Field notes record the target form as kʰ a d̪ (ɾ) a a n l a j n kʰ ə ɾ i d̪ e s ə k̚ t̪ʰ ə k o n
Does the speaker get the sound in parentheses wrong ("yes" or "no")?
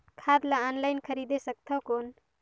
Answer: yes